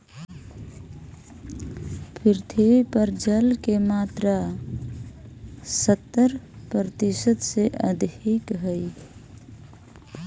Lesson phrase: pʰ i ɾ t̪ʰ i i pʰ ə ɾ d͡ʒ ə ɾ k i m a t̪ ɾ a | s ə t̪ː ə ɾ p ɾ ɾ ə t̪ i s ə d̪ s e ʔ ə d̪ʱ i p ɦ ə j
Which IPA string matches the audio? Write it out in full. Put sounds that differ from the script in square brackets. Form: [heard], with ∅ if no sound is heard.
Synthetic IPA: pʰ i ɾ t̪ʰ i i [p] ə ɾ d͡ʒ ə [l] k [e] m a t̪ ɾ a | s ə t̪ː ə ɾ p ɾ ɾ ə t̪ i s ə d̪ s e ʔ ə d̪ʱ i [k] ɦ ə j